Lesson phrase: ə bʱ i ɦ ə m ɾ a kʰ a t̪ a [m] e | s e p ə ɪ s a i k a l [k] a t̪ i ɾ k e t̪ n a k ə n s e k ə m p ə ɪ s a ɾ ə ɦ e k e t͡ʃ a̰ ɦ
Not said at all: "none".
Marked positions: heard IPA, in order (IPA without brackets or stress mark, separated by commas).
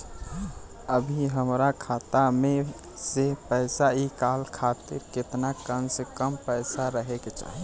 m, kʰ